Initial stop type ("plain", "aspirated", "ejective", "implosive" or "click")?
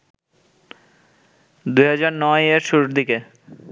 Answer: plain